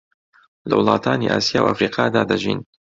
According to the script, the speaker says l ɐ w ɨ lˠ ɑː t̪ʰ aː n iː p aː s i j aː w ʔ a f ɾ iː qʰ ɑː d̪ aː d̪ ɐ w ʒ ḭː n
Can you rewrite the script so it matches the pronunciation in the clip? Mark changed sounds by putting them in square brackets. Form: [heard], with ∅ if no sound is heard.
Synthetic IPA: l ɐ w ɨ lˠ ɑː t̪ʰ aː n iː [ʔ] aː s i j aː w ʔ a f ɾ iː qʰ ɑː d̪ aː d̪ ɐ [∅] ʒ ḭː n